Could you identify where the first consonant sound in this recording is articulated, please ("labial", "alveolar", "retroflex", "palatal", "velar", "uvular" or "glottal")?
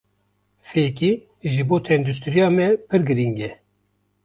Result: labial